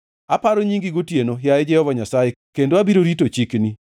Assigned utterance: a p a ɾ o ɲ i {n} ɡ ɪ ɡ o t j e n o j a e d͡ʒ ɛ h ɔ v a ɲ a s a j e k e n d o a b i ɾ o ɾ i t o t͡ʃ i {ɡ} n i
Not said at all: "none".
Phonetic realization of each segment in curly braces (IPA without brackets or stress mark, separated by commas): ŋ, k